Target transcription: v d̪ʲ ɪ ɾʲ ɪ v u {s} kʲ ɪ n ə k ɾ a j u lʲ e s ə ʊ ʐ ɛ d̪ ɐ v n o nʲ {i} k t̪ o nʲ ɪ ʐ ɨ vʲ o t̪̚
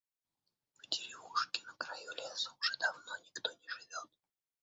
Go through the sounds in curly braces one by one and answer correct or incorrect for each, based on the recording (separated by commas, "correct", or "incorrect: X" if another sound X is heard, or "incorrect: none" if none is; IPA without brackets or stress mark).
incorrect: ʂ, incorrect: ɪ